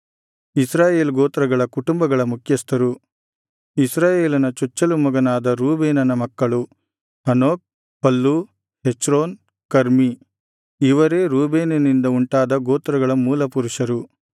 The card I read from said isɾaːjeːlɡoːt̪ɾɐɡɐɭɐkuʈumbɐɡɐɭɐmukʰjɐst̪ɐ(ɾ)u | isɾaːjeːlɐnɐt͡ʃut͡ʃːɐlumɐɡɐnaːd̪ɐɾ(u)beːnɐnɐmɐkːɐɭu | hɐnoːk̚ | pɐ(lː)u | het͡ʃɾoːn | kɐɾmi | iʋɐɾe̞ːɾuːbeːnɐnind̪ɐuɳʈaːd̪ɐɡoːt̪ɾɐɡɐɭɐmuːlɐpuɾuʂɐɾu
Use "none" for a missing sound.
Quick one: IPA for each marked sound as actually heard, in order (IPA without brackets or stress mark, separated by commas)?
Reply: ɾ, uː, lː